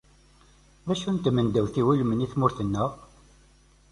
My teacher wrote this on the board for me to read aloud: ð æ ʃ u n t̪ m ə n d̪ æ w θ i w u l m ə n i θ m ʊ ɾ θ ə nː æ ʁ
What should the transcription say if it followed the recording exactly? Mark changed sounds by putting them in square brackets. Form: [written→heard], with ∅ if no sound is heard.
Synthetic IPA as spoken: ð æ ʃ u n t̪ m ə n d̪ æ w θ i w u l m ə n i θ m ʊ ɾ θ ə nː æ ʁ

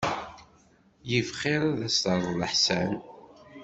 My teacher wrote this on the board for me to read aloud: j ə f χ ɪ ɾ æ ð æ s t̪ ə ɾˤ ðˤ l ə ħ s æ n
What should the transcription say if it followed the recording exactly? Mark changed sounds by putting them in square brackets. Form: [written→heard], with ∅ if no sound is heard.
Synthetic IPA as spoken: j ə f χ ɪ ɾ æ ð æ s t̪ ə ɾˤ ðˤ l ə ħ s æ n

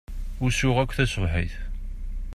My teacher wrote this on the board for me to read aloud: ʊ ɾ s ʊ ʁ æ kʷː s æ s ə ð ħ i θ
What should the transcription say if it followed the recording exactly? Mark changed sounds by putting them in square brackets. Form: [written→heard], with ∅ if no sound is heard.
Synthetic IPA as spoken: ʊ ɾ s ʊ ʁ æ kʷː [s→θ] æ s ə [ð→v] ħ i θ

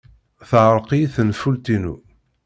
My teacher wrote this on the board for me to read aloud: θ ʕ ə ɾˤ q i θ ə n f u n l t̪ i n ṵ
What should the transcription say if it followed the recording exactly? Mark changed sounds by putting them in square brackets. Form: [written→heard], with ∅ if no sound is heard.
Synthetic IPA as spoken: θ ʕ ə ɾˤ q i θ ə n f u [n→∅] l t̪ i n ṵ

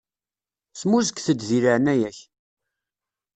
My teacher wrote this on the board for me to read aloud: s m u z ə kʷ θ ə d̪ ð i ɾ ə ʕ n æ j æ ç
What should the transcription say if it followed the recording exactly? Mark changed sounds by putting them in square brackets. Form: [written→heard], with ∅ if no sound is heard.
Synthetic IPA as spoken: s m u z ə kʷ θ ə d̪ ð i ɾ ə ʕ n æ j æ ç

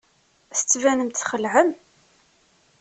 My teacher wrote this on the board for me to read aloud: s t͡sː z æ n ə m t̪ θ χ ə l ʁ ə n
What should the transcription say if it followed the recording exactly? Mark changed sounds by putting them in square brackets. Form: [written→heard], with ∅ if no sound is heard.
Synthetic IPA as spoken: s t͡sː [z→v] æ n ə m t̪ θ χ ə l [ʁ→ʕ] ə [n→m]

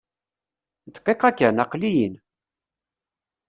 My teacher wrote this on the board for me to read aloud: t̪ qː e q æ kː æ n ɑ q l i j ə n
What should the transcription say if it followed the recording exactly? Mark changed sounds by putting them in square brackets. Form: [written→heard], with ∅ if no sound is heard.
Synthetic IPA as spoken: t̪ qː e q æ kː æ n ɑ q l i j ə n

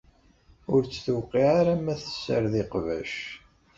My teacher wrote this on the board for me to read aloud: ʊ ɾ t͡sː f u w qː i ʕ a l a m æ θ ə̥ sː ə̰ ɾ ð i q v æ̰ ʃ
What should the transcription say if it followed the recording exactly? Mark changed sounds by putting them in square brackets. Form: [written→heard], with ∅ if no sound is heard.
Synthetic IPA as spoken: ʊ ɾ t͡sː [f→θ] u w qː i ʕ a [l→ɾ] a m æ θ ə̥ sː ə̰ ɾ ð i q v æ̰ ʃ

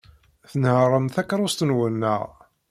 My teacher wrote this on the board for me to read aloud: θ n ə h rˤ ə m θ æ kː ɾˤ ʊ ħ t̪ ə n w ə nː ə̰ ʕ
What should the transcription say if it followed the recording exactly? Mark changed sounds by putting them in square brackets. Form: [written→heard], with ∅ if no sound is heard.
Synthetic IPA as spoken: θ n ə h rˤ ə m θ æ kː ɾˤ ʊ [ħ→s] t̪ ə n w ə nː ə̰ [ʕ→ʁ]

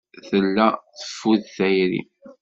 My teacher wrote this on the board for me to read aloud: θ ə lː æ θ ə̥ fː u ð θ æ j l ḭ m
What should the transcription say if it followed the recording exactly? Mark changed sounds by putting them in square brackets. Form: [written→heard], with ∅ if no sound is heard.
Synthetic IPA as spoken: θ ə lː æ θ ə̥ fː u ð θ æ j [l→ɾ] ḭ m

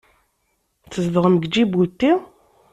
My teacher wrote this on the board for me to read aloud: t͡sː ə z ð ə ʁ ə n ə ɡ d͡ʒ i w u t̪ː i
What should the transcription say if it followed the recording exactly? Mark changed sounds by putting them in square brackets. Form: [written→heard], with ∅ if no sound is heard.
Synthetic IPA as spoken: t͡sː ə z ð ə ʁ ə [n→m] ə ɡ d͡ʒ i [w→b] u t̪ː i

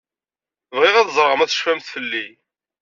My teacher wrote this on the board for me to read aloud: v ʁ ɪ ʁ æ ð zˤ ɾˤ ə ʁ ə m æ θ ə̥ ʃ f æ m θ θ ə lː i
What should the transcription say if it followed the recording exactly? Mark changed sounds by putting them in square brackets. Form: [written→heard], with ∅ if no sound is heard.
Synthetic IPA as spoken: v ʁ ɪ ʁ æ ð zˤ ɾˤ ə ʁ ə m æ θ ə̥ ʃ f æ m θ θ ə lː i

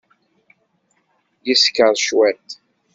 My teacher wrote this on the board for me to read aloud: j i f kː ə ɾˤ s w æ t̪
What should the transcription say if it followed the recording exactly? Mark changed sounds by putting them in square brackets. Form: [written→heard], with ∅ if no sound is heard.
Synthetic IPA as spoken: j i [f→s] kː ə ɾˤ [s→ʃ] w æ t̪

